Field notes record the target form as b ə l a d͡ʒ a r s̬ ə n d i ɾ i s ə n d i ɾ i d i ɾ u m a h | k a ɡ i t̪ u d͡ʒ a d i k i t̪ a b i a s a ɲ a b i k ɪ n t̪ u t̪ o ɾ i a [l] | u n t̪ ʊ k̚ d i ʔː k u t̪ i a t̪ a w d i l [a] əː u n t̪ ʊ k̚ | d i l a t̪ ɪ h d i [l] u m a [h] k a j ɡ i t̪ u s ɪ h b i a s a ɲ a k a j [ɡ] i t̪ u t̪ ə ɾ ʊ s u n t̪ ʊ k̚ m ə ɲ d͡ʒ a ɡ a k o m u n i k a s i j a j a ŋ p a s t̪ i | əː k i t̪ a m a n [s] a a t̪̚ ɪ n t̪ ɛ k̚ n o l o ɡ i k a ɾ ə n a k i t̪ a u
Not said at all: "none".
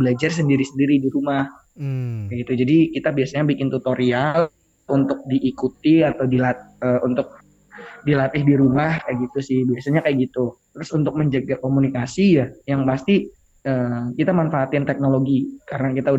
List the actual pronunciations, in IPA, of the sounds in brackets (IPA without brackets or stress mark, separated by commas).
l, a, ɾ, h, ɡ, f